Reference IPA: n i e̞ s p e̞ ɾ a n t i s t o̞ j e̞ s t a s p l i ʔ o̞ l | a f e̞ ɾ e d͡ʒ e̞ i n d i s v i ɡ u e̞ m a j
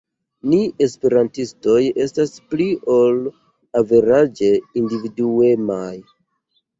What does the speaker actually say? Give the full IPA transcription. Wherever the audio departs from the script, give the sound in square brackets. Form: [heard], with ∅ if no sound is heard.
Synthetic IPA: n i e̞ s p e̞ ɾ a n t i s t o̞ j e̞ s t a s p l i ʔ o̞ l | a [v] e̞ ɾ [a] d͡ʒ e̞ i n d i [∅] v i [d] u e̞ m a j